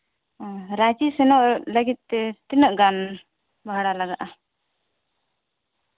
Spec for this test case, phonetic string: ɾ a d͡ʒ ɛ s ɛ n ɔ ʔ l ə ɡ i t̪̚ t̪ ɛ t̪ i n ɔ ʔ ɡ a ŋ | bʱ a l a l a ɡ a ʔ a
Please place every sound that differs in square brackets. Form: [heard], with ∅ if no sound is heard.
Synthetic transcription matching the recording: ɾ a d͡ʒ [i] s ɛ n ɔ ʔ l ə ɡ i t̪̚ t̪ ɛ t̪ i n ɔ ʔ ɡ a [n] | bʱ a [ɽ] a l a ɡ a ʔ a